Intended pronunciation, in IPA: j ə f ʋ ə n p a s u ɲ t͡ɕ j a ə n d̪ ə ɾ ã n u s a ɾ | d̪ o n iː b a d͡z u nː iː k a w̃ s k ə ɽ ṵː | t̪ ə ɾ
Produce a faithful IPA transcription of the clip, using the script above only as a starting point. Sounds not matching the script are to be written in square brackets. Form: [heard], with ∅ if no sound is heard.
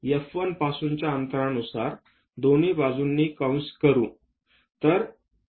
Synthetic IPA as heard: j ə f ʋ ə n p a s u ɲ t͡ɕ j a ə n [t̪] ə ɾ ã n u s a ɾ | d̪ o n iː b a d͡z u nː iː k a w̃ s k ə [ɾ] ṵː | t̪ ə ɾ